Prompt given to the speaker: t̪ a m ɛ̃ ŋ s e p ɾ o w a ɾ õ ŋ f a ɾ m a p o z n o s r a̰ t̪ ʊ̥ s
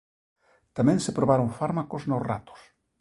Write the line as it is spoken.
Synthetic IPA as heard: t̪ a m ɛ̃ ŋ s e p ɾ o β a ɾ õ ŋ f a ɾ m a k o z n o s r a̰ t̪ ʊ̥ s